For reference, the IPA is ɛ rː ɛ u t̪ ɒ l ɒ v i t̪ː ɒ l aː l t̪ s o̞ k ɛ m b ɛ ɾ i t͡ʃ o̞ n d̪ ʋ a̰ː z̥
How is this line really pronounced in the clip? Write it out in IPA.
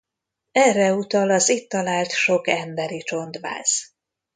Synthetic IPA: ɛ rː ɛ u t̪ ɒ l ɒ z i t̪ː ɒ l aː l t̪ ʃ o̞ k ɛ m b ɛ ɾ i t͡ʃ o̞ n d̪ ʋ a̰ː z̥